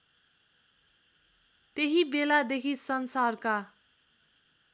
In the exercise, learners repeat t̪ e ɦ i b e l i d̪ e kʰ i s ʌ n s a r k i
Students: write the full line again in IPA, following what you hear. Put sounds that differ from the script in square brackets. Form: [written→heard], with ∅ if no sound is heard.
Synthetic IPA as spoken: t̪ e ɦ i b e l [i→a] d̪ e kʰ i s ʌ n s a r k [i→a]